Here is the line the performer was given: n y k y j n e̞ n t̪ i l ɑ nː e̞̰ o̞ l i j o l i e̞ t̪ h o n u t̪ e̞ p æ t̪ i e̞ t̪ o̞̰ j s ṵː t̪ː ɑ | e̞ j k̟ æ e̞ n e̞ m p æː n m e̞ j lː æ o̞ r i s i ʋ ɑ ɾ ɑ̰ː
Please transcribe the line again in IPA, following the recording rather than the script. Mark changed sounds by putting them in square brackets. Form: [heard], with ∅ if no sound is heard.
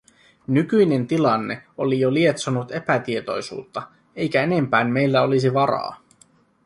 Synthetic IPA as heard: n y k y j n e̞ n t̪ i l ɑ nː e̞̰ o̞ l i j o l i e̞ t̪ [s] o n u t̪ e̞ p æ t̪ i e̞ t̪ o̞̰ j s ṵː t̪ː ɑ | e̞ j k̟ æ e̞ n e̞ m p æː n m e̞ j lː æ o̞ [l] i s i ʋ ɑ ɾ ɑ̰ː